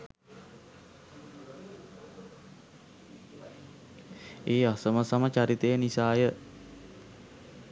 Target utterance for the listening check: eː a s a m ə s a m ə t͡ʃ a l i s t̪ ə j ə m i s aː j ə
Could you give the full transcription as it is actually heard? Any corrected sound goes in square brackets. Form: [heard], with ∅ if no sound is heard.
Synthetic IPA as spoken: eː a s [ə] m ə s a m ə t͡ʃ a [ɾ] i [∅] t̪ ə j ə [n] i s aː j ə